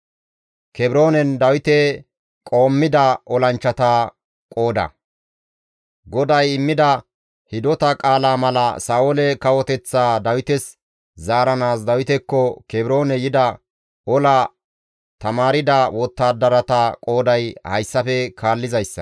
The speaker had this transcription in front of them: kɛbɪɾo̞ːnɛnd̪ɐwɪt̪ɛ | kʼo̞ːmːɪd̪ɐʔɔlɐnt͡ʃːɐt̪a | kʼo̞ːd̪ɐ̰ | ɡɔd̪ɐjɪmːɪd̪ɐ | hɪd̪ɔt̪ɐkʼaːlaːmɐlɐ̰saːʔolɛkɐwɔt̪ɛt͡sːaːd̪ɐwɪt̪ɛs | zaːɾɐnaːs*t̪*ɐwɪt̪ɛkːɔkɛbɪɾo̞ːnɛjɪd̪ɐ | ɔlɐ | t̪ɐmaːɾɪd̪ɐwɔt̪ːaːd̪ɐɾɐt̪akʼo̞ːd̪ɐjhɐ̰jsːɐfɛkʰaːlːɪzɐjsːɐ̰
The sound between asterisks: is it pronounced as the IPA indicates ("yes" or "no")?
no